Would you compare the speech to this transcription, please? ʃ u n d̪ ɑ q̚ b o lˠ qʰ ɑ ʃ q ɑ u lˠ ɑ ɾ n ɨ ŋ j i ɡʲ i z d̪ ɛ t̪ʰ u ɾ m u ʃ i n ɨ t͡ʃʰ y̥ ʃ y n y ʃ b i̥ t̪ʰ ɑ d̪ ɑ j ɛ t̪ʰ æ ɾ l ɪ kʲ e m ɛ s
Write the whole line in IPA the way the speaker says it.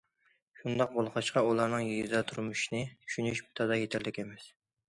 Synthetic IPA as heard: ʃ u n d̪ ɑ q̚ b o lˠ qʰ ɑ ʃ q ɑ u lˠ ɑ ɾ n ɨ ŋ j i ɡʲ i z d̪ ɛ t̪ʰ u ɾ m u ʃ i n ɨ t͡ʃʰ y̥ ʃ y n y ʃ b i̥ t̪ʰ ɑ d̪ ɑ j e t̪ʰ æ ɾ l ɪ kʲ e m ɛ s